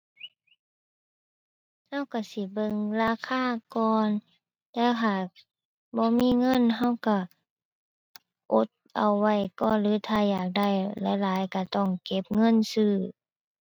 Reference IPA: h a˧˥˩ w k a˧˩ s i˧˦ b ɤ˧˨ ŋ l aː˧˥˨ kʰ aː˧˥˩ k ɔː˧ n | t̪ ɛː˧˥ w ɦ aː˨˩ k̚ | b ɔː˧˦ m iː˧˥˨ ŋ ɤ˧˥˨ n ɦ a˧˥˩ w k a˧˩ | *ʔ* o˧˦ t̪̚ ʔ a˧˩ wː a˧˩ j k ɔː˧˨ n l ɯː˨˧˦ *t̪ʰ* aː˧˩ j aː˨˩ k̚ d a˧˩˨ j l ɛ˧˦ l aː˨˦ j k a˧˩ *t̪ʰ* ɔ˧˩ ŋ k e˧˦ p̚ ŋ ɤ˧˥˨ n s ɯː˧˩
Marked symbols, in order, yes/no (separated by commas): yes, yes, no